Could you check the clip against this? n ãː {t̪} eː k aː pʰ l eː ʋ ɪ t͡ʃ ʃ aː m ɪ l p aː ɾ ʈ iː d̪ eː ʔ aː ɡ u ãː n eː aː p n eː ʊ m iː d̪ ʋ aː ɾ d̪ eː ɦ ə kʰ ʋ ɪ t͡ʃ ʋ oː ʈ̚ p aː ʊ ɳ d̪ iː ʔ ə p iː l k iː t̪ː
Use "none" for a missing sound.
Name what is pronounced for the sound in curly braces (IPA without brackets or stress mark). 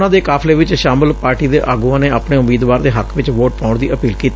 d̪